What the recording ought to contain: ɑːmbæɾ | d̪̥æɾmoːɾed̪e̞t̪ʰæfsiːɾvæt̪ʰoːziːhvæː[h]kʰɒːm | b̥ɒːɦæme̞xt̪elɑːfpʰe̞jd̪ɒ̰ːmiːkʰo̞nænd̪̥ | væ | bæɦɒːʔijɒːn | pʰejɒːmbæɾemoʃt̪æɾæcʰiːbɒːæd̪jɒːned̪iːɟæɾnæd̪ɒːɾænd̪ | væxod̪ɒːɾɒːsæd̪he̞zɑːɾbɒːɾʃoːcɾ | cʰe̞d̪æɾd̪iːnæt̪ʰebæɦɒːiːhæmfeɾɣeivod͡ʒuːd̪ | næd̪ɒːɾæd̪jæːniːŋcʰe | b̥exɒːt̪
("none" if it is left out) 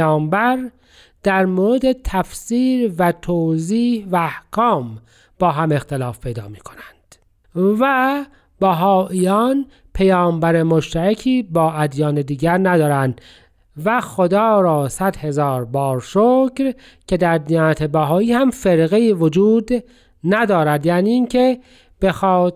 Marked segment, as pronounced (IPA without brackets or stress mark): h